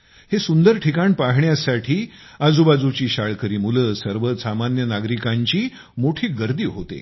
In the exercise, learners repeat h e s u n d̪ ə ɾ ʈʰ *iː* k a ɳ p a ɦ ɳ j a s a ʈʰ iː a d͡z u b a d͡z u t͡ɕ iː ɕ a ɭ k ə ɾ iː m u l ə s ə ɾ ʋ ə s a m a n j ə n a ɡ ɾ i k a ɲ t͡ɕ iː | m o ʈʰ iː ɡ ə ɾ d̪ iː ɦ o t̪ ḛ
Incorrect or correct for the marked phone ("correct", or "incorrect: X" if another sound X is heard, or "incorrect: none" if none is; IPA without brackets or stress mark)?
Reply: incorrect: i